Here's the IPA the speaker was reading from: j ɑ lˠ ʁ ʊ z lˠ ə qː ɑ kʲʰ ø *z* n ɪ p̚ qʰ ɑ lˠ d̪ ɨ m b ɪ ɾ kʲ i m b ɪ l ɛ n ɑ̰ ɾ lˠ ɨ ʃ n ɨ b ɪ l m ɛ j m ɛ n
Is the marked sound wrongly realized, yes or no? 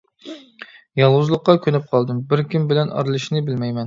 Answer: yes